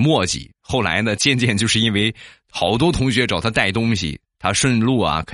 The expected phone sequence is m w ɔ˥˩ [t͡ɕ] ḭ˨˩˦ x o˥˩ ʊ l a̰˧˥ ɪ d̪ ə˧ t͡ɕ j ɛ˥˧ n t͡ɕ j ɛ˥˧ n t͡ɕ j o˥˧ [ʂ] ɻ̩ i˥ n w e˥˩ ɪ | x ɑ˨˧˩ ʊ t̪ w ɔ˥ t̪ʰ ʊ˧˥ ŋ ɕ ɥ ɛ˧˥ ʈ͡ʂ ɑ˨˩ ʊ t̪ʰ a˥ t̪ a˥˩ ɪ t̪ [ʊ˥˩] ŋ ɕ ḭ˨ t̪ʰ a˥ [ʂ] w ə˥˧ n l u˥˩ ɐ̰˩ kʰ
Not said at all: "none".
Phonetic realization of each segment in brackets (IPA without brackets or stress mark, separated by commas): t͡ɕ, ʂ, ʊ˥, ʂ